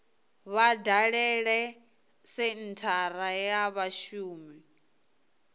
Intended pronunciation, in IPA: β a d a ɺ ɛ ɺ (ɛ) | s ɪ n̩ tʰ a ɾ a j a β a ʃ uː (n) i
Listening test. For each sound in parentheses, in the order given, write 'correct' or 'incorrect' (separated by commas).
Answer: correct, incorrect